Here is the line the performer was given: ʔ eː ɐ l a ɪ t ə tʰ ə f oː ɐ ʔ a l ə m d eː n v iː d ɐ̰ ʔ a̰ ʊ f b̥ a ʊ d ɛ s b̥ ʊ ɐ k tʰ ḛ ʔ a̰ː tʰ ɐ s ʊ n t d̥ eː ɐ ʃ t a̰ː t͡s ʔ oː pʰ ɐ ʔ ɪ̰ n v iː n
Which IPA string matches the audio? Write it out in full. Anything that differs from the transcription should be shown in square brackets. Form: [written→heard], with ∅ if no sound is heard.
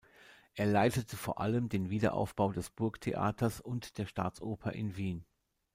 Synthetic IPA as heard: ʔ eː ɐ l a ɪ t ə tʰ ə f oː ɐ ʔ a l ə m d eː n v iː d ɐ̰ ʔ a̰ ʊ f b̥ a ʊ d ɛ s b̥ ʊ ɐ k tʰ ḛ ʔ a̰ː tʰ ɐ s ʊ n t d̥ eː ɐ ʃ t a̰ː t͡s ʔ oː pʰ ɐ ʔ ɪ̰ n v iː n